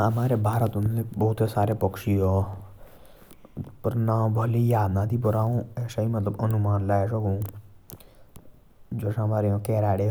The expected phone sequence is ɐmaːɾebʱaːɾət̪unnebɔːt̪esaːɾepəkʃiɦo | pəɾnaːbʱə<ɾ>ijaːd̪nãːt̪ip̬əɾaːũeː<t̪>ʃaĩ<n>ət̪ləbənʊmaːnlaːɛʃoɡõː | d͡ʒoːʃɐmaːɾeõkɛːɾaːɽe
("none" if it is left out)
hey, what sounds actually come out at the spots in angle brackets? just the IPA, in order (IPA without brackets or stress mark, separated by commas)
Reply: l, none, m